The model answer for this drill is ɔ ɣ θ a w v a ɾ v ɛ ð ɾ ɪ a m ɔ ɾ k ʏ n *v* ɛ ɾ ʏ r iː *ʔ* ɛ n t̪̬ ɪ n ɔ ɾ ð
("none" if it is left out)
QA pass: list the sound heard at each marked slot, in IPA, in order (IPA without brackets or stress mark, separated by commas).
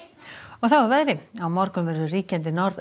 v, c